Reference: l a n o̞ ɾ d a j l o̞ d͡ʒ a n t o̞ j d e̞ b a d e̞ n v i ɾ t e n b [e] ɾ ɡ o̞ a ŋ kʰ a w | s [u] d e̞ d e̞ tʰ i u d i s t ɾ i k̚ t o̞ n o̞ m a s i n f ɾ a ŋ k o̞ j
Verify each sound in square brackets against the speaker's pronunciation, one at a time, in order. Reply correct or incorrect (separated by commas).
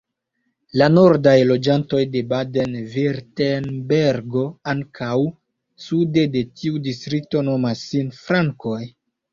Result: correct, correct